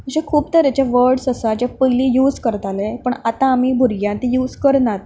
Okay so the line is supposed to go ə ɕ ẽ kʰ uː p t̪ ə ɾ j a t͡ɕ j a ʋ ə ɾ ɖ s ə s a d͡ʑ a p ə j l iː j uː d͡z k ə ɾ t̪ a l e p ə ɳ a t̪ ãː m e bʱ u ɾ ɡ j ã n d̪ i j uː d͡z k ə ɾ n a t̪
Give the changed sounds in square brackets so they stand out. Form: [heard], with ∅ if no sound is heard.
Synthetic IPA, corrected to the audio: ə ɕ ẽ kʰ uː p t̪ ə ɾ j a t͡ɕ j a ʋ ə ɾ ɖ s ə s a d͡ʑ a p ə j l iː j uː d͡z k ə ɾ t̪ a l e p ə ɳ a t̪ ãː m [i] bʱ u ɾ ɡ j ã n [t̪] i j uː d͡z k ə ɾ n a t̪